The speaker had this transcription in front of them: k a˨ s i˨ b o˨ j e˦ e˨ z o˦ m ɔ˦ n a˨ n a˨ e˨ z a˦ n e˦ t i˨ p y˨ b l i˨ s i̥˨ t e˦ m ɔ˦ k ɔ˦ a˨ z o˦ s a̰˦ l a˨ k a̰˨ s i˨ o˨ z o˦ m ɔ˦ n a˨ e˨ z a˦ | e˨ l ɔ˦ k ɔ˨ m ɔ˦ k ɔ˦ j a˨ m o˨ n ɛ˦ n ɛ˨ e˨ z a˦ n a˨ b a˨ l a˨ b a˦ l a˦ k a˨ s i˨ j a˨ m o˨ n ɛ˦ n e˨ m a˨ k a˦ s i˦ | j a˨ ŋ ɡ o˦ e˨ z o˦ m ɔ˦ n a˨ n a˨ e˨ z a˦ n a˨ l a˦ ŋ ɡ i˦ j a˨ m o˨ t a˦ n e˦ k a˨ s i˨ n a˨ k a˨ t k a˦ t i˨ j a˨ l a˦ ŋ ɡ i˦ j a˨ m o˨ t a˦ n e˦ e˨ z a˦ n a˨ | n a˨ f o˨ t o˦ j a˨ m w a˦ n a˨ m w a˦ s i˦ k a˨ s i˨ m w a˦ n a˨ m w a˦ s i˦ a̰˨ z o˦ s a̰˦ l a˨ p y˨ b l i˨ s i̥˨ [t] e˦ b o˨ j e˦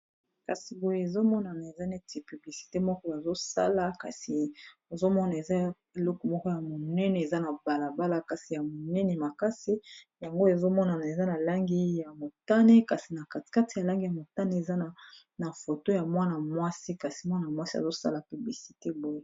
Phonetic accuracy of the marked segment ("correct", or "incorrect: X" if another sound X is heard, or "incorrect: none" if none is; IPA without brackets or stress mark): correct